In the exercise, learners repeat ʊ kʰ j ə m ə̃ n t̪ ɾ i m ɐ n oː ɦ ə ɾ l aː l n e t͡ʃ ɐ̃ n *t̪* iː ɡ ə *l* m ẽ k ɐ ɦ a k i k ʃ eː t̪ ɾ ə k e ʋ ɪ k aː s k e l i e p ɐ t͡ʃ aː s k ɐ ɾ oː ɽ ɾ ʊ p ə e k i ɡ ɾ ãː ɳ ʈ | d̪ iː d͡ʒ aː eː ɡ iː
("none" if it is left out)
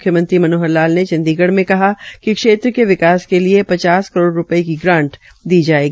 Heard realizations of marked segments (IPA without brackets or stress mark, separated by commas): d̪, ɽ